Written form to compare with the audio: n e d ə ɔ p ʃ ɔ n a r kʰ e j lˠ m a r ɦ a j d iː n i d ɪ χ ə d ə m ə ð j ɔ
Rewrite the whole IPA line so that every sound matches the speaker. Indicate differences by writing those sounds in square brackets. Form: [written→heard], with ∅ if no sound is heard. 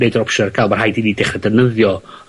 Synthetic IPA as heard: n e d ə ɔ p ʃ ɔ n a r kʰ [e→a] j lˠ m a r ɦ a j d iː n i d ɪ χ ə d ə [m→n] ə ð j ɔ